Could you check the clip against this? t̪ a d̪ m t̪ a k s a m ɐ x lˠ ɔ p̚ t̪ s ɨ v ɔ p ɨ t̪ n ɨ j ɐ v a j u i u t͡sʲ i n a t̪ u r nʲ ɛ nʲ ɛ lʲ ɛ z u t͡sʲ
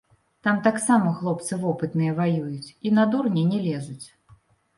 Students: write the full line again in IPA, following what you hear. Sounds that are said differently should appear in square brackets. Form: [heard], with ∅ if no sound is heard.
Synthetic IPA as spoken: t̪ a [∅] m t̪ a k s a m ɐ x lˠ ɔ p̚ t̪ s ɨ v ɔ p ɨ t̪ n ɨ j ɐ v a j u [j] u t͡sʲ i n a [d̪] u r nʲ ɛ nʲ ɛ lʲ ɛ z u t͡sʲ